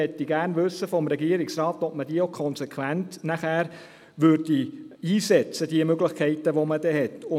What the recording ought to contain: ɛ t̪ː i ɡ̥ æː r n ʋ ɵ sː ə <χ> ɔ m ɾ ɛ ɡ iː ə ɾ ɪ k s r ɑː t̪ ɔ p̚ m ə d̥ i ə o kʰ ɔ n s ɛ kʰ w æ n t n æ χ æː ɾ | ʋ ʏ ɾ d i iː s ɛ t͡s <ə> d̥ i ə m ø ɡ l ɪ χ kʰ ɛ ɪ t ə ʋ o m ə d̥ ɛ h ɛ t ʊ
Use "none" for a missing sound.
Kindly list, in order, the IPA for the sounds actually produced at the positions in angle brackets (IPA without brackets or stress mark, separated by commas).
f, ə